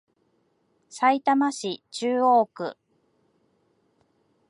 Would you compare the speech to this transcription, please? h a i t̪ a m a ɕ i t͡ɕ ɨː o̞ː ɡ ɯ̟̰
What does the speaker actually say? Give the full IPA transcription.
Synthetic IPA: s a i t̪ a m a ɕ i t͡ɕ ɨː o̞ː k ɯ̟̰